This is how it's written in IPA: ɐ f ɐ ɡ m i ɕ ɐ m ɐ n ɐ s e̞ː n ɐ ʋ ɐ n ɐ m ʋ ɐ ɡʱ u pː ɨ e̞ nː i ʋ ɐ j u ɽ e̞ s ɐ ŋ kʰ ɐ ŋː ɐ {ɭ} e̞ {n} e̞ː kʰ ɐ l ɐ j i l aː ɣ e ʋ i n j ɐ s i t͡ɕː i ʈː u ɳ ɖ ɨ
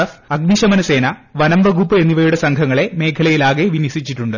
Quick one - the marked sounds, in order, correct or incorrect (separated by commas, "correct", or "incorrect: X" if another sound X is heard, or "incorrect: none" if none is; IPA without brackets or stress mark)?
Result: correct, incorrect: m